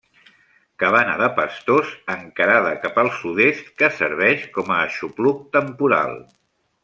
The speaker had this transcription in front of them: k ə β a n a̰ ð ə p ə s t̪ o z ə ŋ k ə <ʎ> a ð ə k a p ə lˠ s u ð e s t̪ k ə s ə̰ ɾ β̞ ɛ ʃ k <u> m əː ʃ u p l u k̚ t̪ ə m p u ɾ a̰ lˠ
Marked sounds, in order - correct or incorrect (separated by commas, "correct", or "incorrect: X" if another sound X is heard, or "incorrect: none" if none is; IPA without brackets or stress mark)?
incorrect: ɾ, incorrect: ɔ